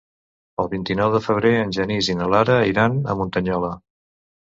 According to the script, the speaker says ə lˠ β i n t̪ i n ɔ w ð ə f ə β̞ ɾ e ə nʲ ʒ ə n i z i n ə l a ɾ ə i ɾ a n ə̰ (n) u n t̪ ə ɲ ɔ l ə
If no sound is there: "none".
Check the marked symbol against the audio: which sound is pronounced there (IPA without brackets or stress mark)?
m